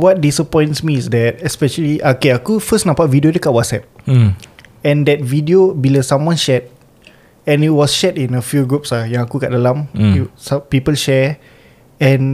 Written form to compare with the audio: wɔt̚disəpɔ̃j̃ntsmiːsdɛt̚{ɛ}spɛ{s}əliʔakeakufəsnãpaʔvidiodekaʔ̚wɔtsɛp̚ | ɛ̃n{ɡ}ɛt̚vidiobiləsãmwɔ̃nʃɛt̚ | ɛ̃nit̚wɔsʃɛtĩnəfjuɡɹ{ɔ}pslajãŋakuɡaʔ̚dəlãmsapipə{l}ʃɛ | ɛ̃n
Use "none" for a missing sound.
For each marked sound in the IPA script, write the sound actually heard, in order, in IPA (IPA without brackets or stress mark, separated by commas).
ɛ, ʃ, d, u, l